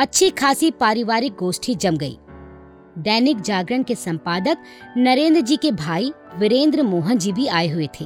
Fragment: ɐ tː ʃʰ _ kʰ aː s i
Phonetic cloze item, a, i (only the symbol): i